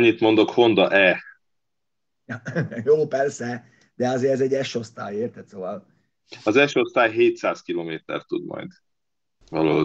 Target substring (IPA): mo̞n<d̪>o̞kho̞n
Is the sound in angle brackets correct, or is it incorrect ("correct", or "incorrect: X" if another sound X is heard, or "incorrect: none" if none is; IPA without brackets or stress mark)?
correct